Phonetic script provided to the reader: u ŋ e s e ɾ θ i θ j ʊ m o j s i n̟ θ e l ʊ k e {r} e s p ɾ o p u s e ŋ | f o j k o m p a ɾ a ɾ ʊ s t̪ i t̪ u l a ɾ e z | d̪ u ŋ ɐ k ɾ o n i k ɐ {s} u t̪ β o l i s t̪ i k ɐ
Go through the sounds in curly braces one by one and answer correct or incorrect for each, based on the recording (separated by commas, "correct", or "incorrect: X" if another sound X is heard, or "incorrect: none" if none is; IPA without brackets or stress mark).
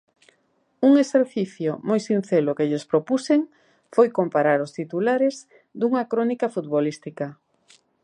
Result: incorrect: ʎ, incorrect: f